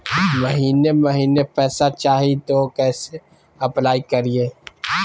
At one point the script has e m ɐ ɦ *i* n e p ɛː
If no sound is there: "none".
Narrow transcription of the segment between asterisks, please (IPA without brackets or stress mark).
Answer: iː